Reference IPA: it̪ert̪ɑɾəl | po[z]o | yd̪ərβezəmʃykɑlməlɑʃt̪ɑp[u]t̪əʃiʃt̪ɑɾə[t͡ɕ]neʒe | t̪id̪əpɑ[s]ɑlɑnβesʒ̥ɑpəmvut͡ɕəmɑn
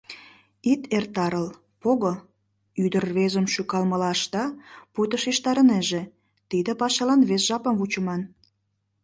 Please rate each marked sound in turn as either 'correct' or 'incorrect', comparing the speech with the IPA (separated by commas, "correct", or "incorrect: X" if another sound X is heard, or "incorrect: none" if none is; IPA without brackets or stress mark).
incorrect: ɣ, correct, incorrect: none, incorrect: ʃ